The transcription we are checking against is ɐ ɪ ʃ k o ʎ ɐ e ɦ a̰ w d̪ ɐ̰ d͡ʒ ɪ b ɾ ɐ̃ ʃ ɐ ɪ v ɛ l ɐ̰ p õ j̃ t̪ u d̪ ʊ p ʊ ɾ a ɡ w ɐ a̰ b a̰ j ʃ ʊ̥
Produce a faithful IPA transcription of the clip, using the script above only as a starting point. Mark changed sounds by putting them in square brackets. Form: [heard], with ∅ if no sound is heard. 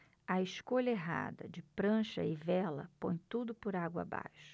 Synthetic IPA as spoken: ɐ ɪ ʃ k o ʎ ɐ e ɦ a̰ [∅] d̪ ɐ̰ d͡ʒ ɪ [p] ɾ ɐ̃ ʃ ɐ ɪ v ɛ l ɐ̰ p õ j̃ t̪ u d̪ ʊ p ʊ ɾ a ɡ w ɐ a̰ b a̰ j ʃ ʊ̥